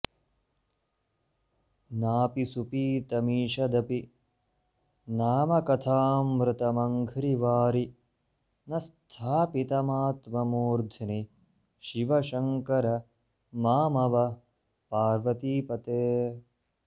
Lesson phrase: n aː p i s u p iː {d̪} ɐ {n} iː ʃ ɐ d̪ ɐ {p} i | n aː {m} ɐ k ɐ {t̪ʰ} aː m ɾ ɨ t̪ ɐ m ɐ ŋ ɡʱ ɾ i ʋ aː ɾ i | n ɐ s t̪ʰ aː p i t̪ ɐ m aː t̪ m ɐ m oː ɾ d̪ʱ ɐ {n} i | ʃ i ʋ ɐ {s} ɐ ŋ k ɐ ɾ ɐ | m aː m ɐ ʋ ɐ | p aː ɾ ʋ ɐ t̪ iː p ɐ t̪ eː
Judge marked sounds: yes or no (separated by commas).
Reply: no, no, yes, yes, yes, yes, no